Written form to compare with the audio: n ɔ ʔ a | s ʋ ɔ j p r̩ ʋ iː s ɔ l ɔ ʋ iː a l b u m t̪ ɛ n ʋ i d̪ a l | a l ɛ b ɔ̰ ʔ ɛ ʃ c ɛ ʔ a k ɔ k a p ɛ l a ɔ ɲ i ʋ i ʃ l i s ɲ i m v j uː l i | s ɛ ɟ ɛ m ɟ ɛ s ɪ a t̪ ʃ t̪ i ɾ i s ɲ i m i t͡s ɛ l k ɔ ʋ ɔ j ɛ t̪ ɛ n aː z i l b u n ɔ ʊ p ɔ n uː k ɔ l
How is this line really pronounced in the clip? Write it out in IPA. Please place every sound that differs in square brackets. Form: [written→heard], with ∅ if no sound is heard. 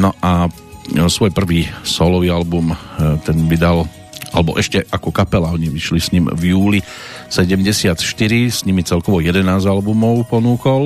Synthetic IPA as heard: n ɔ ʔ a | s ʋ ɔ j p r̩ ʋ iː s ɔ l ɔ ʋ iː a l b u m t̪ ɛ n ʋ i d̪ a l | a l ɛ b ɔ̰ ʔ ɛ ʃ c ɛ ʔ a k ɔ k a p ɛ l a ɔ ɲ i ʋ i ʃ l i s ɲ i m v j uː l i | s ɛ ɟ ɛ m ɟ ɛ s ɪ a t̪ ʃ t̪ i ɾ i s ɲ i m i t͡s ɛ l k ɔ ʋ ɔ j ɛ [t̪→d̪] ɛ n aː z [i→a] l b u [n→m] ɔ ʊ p ɔ n uː k ɔ l